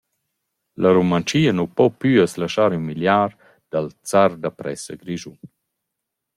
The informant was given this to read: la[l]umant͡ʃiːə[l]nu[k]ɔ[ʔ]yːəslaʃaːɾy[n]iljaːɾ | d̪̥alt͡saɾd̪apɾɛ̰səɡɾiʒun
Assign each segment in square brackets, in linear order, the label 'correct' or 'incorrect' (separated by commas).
incorrect, incorrect, incorrect, incorrect, incorrect